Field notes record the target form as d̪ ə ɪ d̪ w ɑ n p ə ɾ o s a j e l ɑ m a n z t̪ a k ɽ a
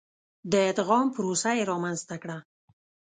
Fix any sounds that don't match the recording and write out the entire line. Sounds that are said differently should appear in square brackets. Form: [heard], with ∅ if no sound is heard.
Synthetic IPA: d̪ ə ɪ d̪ [ɣ] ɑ [m] p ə ɾ o s a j e [ɾ] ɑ m a n z t̪ a k ɽ a